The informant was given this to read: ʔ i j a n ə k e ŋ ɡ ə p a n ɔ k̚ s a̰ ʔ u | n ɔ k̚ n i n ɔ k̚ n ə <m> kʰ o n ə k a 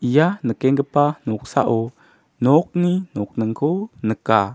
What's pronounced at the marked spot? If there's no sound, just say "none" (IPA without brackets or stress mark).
ŋ